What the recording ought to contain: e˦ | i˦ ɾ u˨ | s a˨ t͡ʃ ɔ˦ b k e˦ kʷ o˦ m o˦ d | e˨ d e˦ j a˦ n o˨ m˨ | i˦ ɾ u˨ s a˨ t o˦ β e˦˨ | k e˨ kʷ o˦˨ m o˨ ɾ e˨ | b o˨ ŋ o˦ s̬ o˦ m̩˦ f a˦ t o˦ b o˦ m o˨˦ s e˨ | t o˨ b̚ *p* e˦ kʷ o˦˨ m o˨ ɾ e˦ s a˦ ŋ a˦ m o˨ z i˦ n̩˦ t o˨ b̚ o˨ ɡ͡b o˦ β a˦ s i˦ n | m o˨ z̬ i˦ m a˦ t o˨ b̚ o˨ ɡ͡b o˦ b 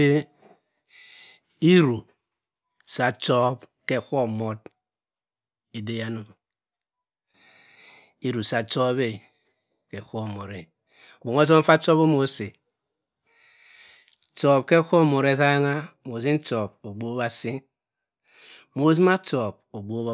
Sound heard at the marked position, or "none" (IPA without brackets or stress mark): k